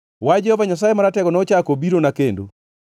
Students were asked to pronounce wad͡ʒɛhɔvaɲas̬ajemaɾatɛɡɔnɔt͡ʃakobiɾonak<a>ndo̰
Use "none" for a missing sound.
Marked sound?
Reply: e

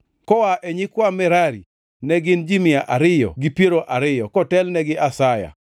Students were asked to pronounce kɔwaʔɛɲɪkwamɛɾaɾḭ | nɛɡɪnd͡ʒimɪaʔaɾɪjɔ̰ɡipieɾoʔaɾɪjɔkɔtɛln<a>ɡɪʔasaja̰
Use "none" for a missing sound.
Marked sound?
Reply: ɛ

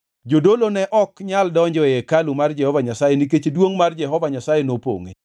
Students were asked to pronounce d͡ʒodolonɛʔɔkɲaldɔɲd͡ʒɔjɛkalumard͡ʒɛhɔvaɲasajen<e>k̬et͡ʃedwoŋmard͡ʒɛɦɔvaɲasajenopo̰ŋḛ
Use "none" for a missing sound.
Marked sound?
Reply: i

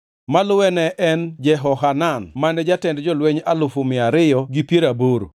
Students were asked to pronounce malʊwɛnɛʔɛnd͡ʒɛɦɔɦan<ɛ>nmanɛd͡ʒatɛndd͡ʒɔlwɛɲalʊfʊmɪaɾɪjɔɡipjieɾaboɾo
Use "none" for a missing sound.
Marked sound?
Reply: a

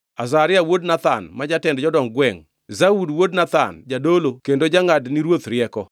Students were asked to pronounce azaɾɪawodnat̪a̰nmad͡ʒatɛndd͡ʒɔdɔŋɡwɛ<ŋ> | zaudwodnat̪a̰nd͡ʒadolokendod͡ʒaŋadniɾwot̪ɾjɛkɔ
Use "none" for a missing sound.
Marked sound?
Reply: ŋ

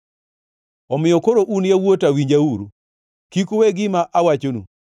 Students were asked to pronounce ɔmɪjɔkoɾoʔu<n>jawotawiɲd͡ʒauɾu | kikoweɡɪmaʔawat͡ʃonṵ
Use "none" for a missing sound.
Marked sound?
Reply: n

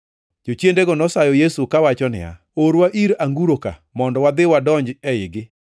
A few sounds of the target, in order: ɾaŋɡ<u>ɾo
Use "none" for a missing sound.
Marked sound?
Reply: u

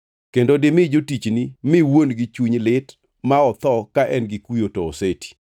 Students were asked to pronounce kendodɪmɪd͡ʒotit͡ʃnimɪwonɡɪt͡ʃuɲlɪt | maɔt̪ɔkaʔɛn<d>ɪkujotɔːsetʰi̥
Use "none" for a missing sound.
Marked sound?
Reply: ɡ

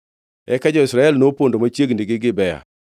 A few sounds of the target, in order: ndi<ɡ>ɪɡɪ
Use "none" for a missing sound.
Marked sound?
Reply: ɡ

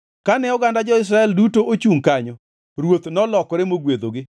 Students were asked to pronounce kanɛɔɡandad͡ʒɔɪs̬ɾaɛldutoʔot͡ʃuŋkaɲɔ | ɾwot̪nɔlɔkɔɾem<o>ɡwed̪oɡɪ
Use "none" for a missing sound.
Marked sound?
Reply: o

